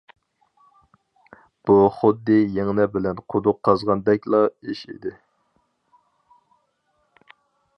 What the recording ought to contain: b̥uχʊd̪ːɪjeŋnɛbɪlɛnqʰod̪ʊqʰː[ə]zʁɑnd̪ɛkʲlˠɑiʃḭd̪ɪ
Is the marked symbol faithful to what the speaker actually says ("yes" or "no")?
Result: no